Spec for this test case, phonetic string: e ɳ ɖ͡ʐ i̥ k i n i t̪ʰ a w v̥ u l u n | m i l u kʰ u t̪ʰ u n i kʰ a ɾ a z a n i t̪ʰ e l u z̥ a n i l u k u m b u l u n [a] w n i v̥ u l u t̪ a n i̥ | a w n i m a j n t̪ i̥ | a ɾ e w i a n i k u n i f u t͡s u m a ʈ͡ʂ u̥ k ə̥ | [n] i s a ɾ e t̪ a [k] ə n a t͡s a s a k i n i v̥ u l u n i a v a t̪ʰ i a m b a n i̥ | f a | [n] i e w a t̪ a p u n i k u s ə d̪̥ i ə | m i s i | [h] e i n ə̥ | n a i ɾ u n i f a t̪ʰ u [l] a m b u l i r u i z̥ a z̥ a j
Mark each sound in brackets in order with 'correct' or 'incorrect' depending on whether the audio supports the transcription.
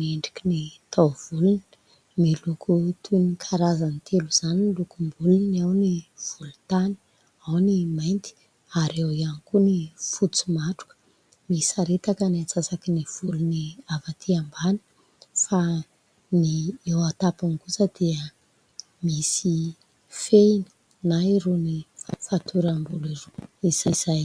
correct, incorrect: m, correct, correct, incorrect: f, incorrect: ɾ

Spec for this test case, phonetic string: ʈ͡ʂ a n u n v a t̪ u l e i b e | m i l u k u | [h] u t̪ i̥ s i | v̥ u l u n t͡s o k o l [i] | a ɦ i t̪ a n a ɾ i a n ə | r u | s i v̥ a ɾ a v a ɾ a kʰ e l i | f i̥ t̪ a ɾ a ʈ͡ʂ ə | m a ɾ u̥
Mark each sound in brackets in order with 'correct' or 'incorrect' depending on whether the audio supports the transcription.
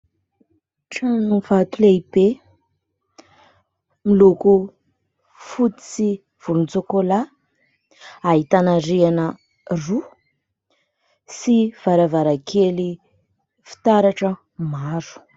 incorrect: f, incorrect: a

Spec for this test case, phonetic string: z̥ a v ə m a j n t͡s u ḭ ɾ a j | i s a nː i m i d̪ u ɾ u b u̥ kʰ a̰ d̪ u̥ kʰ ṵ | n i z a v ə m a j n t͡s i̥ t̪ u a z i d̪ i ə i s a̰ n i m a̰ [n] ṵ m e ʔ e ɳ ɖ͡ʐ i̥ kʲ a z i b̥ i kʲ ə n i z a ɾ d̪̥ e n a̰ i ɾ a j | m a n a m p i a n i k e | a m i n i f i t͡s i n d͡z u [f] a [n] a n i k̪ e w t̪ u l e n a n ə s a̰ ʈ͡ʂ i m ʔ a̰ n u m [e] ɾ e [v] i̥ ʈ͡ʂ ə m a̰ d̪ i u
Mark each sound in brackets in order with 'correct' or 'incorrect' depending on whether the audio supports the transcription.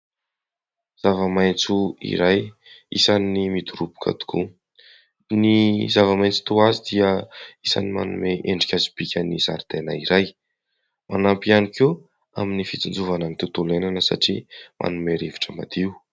correct, incorrect: v, correct, correct, correct

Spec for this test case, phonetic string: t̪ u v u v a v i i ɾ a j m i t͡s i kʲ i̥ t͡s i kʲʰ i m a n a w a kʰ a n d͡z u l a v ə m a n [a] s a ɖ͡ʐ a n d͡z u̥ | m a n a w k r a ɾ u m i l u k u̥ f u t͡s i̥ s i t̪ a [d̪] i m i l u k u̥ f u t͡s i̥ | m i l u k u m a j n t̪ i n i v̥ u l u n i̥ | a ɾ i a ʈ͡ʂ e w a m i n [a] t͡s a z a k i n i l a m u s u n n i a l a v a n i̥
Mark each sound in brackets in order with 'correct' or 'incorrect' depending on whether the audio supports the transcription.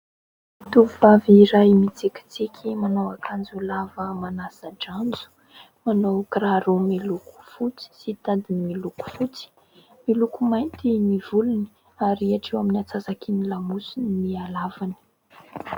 correct, correct, correct

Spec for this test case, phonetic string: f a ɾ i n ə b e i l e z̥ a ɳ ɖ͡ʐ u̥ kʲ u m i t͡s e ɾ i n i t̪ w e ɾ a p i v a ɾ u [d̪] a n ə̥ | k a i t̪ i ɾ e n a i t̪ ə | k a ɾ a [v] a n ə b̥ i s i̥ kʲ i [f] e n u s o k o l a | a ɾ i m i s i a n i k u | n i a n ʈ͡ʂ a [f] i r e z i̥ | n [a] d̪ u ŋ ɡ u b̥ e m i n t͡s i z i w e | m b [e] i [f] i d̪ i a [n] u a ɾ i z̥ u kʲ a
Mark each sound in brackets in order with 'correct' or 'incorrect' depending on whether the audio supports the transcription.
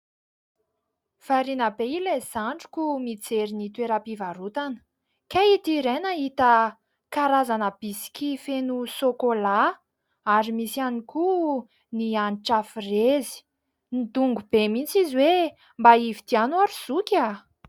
incorrect: t̪, incorrect: z, correct, correct, incorrect: i, incorrect: a, incorrect: v, correct

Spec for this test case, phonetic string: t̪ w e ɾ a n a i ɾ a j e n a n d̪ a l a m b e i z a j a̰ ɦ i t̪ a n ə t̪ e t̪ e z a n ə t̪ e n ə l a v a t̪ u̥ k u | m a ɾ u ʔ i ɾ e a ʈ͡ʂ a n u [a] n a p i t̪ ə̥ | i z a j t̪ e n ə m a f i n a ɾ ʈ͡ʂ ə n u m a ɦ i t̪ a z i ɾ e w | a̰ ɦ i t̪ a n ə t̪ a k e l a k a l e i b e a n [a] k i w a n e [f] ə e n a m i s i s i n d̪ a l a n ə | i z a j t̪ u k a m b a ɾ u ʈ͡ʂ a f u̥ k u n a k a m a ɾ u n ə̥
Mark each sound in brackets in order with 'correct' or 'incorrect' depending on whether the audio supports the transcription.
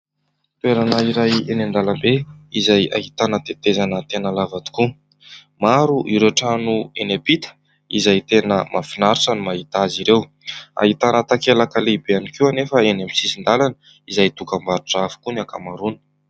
incorrect: e, incorrect: i, correct

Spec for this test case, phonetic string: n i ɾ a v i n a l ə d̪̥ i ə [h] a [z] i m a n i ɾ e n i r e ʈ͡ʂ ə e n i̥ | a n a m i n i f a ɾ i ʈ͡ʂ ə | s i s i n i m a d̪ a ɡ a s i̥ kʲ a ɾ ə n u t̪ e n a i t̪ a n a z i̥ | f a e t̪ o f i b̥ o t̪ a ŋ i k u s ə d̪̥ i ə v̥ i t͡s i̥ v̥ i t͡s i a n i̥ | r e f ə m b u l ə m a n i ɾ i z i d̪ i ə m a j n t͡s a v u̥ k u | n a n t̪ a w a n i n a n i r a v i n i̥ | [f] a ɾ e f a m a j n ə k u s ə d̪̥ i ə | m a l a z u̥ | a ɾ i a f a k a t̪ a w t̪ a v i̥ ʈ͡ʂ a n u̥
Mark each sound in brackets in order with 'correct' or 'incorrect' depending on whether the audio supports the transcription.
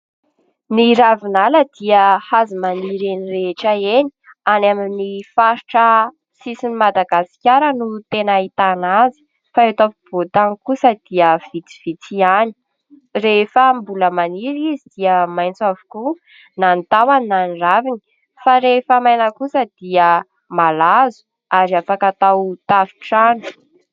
correct, correct, correct

